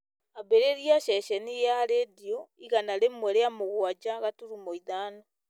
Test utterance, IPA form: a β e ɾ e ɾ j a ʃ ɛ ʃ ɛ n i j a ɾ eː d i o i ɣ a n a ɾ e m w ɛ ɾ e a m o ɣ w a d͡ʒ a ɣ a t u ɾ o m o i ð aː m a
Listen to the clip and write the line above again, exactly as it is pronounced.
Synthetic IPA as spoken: a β e ɾ e ɾ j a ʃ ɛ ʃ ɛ n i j a ɾ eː d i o i ɣ a n a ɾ e m w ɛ ɾ e a m o ɣ w a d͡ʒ a ɣ a t u ɾ u m o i ð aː n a